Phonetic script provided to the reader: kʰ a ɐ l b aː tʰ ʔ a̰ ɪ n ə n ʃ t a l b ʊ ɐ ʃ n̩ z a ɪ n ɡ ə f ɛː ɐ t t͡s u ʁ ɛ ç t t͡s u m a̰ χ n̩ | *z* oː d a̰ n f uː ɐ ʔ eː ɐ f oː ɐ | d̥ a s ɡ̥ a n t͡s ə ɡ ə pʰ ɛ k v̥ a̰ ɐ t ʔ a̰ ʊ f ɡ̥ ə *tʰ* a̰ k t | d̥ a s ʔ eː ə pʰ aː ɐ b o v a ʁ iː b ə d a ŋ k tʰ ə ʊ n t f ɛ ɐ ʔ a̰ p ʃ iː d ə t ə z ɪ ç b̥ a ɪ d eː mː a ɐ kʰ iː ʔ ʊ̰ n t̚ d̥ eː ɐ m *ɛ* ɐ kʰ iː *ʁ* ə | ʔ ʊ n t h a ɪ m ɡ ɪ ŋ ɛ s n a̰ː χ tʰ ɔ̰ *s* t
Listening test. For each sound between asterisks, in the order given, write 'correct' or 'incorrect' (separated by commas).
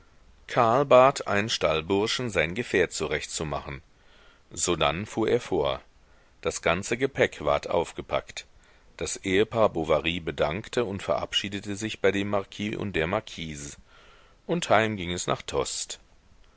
correct, incorrect, incorrect, incorrect, correct